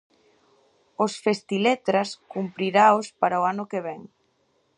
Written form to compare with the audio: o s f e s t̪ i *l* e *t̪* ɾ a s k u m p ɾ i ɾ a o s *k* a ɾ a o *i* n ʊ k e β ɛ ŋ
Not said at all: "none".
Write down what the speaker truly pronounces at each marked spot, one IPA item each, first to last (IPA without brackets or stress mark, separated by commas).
l, t̪, p, a